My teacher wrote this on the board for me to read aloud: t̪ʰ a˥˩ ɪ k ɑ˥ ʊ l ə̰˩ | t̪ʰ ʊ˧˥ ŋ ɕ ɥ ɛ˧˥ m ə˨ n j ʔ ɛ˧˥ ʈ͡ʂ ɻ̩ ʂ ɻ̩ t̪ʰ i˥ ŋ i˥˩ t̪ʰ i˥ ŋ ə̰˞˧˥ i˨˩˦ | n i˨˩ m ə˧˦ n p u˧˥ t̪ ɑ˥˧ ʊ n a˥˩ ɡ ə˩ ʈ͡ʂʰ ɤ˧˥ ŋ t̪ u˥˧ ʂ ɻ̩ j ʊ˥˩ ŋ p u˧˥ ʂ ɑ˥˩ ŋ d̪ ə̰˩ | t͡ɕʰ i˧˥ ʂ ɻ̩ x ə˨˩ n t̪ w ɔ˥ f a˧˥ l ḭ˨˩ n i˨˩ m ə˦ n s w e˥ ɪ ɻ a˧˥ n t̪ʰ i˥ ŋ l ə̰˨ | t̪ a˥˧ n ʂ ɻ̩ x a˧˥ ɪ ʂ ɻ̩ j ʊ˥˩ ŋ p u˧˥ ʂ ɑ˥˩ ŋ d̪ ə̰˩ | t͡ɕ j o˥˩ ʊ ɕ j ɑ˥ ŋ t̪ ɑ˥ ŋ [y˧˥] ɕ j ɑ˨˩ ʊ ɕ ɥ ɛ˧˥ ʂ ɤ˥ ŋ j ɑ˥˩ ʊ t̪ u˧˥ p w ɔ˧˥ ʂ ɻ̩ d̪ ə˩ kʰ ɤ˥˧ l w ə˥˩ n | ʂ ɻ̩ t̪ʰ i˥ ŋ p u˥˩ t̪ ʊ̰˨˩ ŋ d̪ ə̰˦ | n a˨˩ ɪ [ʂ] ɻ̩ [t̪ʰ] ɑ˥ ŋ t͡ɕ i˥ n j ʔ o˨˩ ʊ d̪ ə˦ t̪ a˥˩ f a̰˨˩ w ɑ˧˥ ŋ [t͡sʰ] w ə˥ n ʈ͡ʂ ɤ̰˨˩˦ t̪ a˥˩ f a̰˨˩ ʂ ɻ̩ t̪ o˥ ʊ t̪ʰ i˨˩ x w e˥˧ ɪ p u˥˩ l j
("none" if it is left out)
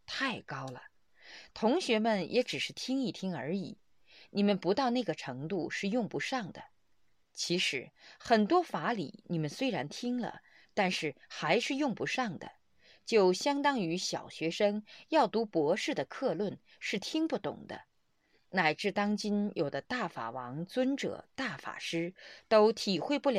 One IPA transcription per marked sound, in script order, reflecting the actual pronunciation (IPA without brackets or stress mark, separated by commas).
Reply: y˧˥, ʈ͡ʂ, t̪, t͡s